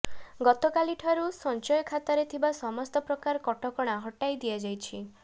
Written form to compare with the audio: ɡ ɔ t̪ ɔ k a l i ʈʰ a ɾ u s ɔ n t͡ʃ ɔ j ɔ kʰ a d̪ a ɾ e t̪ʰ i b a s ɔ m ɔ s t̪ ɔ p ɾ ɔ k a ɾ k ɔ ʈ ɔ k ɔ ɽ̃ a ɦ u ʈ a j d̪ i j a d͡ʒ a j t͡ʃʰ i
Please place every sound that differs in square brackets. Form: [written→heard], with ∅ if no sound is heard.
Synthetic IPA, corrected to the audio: ɡ ɔ t̪ ɔ k a l i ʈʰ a ɾ u s ɔ n t͡ʃ ɔ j ɔ kʰ a [d̪→t̪] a ɾ e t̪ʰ i b a s ɔ m ɔ s t̪ ɔ p ɾ ɔ k a ɾ k ɔ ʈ ɔ k ɔ ɽ̃ a ɦ [u→ɔ] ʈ a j d̪ i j a d͡ʒ a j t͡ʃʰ i